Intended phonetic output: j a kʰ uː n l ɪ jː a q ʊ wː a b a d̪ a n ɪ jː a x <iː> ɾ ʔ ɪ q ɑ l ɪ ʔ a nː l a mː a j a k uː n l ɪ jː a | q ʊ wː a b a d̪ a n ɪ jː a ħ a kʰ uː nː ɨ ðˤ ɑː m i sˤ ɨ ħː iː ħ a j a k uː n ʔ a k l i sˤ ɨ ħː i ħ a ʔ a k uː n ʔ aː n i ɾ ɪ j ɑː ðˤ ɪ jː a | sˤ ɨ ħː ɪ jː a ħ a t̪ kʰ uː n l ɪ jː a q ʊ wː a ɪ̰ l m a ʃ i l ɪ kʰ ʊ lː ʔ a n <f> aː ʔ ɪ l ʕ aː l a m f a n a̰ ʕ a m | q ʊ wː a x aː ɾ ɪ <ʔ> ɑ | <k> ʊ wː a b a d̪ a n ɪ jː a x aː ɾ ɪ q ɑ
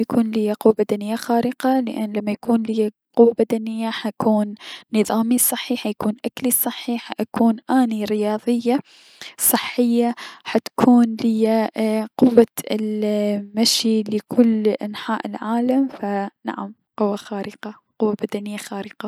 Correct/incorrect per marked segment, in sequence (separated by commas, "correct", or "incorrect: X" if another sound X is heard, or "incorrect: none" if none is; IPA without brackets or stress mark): incorrect: aː, incorrect: ħ, incorrect: q, incorrect: q